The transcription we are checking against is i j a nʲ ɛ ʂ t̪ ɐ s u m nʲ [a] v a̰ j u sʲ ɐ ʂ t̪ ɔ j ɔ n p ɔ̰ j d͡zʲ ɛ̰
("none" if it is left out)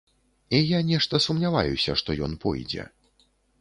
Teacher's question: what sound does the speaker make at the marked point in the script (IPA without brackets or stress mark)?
a